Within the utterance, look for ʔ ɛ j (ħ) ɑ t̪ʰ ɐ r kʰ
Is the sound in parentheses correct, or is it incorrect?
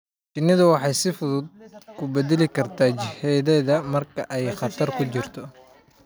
incorrect